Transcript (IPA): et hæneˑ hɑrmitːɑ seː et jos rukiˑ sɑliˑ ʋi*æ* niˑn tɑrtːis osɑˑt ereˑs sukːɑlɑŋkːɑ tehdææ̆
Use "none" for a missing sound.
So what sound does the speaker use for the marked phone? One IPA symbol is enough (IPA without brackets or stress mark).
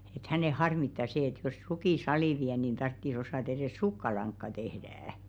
æ